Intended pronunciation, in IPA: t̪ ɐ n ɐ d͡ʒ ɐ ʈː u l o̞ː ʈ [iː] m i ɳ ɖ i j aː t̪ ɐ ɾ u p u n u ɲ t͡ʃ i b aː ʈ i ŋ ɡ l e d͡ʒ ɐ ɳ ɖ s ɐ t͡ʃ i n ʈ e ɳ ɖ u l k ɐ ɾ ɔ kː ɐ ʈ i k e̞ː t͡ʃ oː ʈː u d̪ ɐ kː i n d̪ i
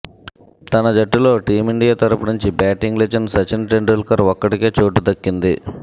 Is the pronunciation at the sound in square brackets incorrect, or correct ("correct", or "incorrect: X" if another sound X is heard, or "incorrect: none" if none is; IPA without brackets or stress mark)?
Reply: correct